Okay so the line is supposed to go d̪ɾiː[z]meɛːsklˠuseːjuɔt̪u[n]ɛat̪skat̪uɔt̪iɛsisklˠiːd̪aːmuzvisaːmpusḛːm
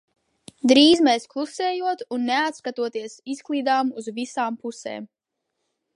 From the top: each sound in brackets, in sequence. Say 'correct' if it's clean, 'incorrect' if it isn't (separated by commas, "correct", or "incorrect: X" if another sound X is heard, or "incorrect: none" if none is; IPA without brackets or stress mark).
correct, incorrect: nː